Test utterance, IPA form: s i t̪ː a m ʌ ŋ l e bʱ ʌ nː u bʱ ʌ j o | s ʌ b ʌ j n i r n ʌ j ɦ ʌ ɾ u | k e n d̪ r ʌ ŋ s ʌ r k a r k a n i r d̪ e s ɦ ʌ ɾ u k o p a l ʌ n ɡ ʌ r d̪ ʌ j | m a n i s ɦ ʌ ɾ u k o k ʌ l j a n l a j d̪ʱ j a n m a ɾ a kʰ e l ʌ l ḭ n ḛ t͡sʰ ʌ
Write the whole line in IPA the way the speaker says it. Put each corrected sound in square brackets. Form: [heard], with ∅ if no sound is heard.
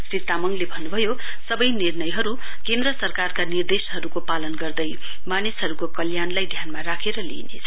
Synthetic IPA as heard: s i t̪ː a m ʌ ŋ l e bʱ ʌ nː u bʱ ʌ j o | s ʌ b ʌ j n i r n ʌ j ɦ ʌ ɾ u | k e n d̪ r ʌ [∅] s ʌ r k a r k a n i r d̪ e s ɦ ʌ ɾ u k o p a l ʌ n ɡ ʌ r d̪ ʌ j | m a n i s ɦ ʌ ɾ u k o k ʌ l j a n l a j d̪ʱ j a n m a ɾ a kʰ e [ɾ] ʌ l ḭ n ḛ t͡sʰ ʌ